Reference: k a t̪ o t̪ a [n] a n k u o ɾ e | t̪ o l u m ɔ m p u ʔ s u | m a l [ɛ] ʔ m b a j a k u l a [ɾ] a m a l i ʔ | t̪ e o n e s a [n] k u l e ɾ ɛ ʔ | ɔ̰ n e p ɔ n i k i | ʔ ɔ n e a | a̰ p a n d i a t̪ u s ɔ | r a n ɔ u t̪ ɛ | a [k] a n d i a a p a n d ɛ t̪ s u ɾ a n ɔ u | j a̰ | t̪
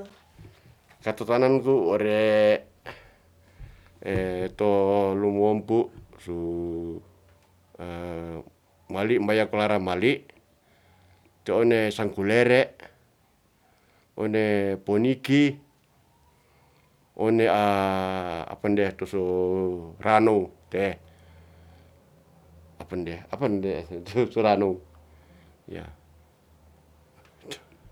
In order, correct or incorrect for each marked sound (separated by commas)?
correct, incorrect, correct, incorrect, incorrect